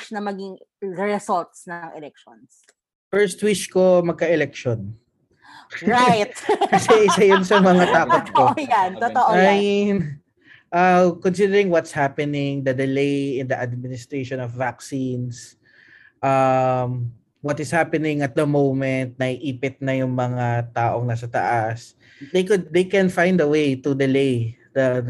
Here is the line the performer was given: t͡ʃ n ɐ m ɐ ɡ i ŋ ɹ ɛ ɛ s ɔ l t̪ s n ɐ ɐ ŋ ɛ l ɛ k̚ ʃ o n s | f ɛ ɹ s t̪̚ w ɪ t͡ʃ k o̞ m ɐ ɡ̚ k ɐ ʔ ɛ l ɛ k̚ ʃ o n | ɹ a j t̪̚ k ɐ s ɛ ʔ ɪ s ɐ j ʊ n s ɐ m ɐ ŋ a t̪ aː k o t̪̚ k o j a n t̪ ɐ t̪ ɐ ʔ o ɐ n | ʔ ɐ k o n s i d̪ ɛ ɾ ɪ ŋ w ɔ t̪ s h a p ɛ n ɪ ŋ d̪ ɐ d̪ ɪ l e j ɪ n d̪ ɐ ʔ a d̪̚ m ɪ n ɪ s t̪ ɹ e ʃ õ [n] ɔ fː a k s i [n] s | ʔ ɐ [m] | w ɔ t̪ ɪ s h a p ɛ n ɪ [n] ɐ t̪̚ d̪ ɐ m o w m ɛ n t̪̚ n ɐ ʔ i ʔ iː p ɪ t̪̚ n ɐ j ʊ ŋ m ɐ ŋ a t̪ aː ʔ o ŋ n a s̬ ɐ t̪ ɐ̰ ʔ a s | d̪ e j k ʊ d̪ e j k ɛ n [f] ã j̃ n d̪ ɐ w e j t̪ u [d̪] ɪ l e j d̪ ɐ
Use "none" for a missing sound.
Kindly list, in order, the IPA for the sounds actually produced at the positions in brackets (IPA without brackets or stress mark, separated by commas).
n, n, m, ŋ, f, d̪